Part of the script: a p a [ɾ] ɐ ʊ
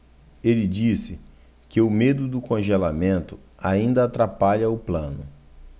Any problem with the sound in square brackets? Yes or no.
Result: yes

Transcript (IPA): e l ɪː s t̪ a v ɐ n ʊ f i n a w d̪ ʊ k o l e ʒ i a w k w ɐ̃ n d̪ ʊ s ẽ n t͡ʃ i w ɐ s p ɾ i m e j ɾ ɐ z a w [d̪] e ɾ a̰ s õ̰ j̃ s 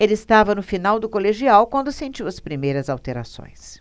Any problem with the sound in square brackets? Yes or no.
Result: yes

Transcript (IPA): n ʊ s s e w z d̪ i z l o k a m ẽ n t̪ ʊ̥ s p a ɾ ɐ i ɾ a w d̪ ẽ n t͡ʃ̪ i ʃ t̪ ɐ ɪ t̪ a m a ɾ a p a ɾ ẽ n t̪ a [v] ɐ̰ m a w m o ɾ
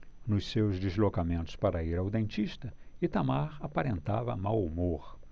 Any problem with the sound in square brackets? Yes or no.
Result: no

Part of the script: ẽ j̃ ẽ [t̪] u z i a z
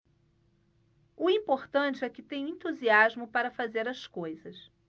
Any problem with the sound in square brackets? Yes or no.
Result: no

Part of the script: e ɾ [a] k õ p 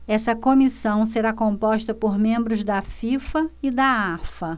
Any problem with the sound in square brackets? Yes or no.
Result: no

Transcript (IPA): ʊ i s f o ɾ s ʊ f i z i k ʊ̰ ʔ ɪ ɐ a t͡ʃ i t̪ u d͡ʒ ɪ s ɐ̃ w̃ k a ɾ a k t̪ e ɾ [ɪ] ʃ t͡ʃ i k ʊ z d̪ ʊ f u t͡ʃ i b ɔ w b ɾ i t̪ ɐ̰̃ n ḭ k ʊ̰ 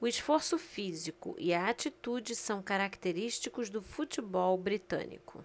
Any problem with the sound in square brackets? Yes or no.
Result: yes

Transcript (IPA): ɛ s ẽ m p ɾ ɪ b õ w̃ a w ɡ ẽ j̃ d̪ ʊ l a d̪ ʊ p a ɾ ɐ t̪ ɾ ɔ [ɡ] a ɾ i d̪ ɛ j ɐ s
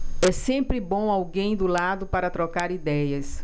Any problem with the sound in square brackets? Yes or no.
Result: yes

